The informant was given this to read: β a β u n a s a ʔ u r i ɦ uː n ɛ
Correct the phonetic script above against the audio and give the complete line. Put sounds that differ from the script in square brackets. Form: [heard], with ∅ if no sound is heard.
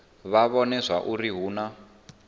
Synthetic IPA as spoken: β a β [ɔ] n [ɛ] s a ʔ u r i ɦ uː n [a]